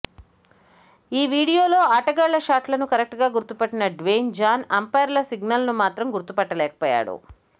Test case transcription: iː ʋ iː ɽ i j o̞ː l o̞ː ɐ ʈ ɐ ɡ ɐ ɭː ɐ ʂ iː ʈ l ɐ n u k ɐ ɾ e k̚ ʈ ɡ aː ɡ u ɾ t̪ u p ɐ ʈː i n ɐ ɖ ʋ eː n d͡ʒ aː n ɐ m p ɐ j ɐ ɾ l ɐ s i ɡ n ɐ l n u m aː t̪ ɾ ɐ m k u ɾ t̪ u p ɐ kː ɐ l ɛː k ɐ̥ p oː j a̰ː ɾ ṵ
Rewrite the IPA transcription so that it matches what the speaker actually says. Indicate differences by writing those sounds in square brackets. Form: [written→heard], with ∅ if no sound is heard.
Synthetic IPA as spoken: iː ʋ iː ɽ i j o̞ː l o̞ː ɐ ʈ ɐ ɡ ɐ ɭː ɐ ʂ [iː→aː] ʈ l ɐ n u k ɐ ɾ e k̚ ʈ ɡ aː ɡ u ɾ t̪ u p ɐ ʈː i n ɐ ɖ ʋ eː n d͡ʒ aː n ɐ m p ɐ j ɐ ɾ l ɐ s i ɡ n ɐ l n u m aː t̪ ɾ ɐ m [k→ɡ] u ɾ t̪ u p ɐ [kː→ʈː] ɐ l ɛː k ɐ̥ p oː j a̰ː [ɾ→ɽ] ṵ